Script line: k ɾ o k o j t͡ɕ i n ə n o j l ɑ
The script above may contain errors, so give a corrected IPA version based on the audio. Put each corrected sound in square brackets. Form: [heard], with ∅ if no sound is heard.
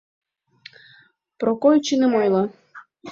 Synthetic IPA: [p] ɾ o k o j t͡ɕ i n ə [m] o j l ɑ